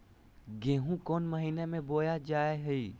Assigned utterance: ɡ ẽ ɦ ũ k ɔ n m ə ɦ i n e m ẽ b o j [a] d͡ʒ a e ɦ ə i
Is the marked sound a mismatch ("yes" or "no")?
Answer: no